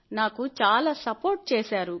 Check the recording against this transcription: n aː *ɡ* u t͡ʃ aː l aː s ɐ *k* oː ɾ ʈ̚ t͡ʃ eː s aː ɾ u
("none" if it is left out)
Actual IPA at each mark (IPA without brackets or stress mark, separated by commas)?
k, p